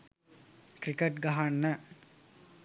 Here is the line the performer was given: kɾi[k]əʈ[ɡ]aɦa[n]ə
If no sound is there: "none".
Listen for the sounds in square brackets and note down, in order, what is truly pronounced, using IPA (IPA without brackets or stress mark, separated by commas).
k, ɡ, nː